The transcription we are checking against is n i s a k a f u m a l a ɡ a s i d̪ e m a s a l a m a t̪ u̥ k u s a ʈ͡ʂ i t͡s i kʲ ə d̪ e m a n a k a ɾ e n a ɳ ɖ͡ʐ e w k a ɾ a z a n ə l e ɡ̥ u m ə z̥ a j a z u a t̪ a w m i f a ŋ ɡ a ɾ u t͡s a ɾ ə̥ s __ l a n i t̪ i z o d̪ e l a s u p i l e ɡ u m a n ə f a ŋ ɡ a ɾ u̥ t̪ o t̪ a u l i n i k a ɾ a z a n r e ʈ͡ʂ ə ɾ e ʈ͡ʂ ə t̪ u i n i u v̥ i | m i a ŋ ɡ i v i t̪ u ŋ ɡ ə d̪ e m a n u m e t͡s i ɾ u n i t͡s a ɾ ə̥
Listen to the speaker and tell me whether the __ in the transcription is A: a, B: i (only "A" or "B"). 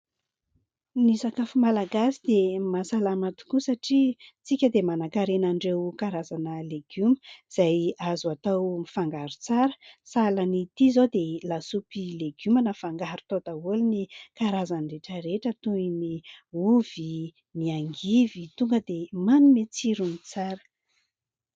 A